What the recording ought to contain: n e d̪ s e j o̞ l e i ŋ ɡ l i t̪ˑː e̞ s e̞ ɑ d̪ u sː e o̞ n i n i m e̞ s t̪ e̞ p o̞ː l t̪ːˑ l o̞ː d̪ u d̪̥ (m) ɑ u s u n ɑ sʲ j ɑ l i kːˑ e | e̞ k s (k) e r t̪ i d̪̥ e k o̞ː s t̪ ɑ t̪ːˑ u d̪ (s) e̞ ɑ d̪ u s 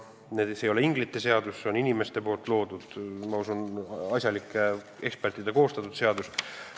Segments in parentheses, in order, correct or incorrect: correct, incorrect: p, correct

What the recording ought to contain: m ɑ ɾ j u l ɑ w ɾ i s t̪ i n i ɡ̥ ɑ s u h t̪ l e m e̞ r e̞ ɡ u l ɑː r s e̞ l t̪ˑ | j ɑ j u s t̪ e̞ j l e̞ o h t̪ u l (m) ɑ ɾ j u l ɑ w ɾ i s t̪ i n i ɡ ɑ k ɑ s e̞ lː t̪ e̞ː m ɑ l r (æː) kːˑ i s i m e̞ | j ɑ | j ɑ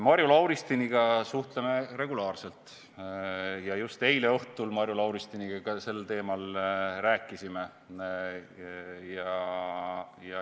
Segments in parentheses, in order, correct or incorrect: correct, correct

